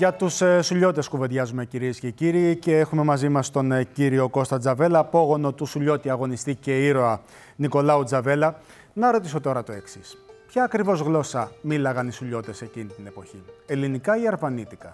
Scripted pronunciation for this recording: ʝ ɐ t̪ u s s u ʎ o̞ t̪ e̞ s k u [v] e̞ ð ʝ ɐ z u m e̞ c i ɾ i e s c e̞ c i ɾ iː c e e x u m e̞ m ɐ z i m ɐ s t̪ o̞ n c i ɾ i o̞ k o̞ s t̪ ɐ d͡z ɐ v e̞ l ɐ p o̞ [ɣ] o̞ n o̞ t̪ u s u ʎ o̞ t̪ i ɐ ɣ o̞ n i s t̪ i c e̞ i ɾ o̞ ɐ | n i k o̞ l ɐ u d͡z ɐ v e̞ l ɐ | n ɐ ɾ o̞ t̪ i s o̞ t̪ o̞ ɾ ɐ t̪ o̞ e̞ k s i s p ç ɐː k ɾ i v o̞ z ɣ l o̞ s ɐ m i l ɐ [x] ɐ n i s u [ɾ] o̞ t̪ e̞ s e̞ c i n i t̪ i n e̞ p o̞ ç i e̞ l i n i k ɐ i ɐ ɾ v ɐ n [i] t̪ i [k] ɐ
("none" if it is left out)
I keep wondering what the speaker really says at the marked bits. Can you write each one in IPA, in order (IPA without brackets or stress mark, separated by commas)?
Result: v, ɣ, ɣ, ʎ, i, k